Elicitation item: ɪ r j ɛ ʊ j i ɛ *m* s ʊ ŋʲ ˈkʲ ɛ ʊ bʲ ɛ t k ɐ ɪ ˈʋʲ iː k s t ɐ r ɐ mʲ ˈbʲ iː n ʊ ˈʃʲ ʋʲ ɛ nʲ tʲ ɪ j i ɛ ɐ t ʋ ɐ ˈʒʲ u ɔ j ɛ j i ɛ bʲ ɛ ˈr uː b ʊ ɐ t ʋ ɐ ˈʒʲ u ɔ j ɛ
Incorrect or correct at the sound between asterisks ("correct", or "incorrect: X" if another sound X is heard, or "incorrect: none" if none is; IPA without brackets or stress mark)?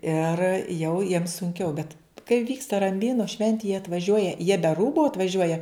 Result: correct